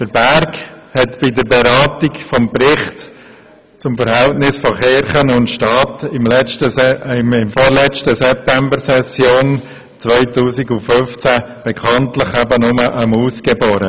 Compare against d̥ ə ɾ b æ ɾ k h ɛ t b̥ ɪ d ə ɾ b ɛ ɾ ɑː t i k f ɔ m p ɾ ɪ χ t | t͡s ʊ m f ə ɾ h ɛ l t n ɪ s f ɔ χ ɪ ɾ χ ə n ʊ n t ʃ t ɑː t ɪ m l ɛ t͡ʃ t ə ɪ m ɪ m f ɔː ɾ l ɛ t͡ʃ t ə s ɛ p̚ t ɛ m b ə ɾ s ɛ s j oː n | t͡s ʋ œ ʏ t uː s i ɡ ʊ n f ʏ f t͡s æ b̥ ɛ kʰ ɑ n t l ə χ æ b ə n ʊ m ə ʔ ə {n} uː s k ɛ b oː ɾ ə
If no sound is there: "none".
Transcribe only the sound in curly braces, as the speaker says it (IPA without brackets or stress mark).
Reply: m